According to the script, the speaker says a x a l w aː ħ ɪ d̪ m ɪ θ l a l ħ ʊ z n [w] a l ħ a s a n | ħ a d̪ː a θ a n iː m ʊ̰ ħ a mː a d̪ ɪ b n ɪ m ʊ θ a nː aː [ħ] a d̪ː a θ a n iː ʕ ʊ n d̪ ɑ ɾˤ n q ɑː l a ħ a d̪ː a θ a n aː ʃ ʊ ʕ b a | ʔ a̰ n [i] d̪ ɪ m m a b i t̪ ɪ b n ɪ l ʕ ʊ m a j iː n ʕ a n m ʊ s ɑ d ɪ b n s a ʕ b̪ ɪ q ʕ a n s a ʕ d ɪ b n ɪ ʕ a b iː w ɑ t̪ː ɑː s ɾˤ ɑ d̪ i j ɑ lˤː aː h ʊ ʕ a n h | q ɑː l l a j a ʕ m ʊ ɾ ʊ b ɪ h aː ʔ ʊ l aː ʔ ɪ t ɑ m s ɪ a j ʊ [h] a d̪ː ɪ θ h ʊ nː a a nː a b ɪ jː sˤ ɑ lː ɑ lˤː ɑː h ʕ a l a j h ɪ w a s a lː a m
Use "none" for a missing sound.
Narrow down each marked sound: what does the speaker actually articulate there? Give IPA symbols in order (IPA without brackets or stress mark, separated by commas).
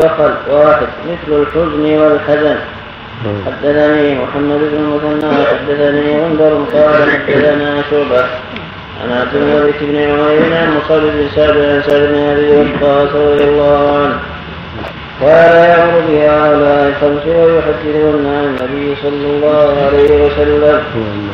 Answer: w, ħ, a, ħ